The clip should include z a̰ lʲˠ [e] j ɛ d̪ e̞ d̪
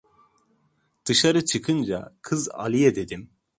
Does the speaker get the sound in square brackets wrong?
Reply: yes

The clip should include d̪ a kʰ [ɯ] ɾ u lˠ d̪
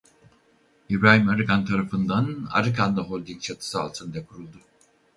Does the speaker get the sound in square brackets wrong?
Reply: yes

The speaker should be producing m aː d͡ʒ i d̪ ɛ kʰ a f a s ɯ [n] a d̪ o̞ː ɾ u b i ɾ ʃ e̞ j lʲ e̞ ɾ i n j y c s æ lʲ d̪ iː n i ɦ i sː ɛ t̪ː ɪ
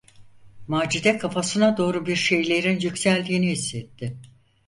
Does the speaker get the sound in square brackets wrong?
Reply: no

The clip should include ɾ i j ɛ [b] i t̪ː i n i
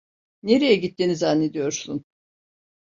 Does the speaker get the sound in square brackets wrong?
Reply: yes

